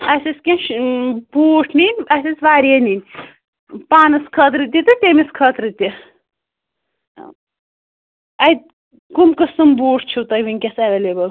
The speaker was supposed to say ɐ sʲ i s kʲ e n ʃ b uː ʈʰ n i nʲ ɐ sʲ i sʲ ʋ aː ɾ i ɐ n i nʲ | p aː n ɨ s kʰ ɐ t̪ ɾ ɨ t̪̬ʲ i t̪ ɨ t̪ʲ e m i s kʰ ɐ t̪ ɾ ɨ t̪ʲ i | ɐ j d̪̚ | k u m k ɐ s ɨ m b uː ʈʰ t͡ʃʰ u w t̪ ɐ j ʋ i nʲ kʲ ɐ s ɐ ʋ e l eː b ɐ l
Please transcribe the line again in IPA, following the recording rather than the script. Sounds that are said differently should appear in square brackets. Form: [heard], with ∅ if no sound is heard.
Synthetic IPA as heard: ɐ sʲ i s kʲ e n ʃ b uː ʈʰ n i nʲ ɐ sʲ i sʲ ʋ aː ɾ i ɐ n i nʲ | p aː n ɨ s kʰ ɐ t̪ ɾ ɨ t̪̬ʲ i t̪ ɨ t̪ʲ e m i s kʰ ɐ t̪ ɾ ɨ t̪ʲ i | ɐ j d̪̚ | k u m k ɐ s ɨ m b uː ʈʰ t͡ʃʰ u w t̪ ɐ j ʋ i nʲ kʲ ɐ s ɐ ʋ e l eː b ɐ l